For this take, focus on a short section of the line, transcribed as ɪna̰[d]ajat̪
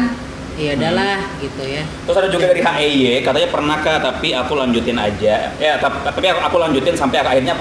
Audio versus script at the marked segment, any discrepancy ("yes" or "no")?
yes